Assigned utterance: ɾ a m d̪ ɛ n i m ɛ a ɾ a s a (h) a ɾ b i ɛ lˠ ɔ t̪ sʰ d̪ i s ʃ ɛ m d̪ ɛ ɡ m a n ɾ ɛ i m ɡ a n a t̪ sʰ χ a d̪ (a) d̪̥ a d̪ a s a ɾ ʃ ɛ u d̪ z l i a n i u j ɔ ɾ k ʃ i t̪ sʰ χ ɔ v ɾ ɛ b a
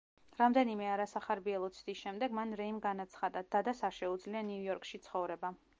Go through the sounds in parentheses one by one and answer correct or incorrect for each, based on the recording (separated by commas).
incorrect, correct